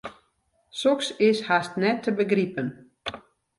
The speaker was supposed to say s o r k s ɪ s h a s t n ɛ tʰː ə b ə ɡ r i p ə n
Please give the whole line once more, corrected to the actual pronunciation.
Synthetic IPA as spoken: s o k s ɪ s h a s t n ɛ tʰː ə b ə ɡ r i p ə n